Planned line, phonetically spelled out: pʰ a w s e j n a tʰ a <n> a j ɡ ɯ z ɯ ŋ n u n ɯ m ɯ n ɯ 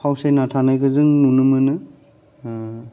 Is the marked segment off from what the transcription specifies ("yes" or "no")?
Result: no